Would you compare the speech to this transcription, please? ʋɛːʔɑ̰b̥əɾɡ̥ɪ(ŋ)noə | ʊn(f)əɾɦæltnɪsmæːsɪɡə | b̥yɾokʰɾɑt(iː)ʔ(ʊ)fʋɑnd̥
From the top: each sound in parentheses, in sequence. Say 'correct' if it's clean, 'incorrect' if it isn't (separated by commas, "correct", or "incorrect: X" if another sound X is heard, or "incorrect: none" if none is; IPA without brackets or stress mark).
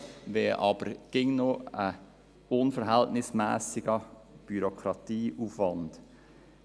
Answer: correct, correct, correct, incorrect: u